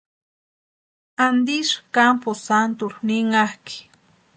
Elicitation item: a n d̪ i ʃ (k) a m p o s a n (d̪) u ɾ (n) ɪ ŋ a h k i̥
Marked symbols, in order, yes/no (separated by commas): yes, no, yes